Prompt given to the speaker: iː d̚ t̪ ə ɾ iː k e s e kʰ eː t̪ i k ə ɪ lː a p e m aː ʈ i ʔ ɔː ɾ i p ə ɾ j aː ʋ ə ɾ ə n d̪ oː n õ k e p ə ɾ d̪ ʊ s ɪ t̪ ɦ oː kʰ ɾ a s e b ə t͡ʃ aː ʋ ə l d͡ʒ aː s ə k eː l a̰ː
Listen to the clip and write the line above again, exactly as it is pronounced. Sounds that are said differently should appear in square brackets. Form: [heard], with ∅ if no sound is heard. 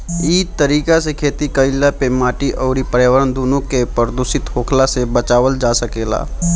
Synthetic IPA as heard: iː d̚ t̪ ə ɾ iː k [a] s e kʰ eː t̪ i k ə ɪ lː a p e m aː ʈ i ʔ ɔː ɾ i p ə ɾ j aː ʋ ə ɾ ə n d̪ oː n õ k e p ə ɾ d̪ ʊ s ɪ t̪ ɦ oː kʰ [l] a s e b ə t͡ʃ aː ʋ ə l d͡ʒ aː s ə k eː l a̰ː

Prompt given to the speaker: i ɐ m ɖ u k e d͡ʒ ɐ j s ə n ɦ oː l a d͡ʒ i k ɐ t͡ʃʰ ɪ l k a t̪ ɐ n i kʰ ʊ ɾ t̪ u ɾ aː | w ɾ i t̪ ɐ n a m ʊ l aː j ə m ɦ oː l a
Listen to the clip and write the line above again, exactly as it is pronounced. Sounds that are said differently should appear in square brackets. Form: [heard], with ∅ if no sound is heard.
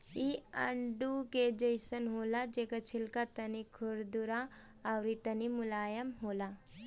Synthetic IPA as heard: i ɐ [ɳ] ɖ u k e d͡ʒ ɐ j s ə n ɦ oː l a d͡ʒ [e] k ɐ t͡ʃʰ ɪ l k a t̪ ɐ n i kʰ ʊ ɾ [d̪] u ɾ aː | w ɾ i t̪ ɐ n [i] m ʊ l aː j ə m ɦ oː l a

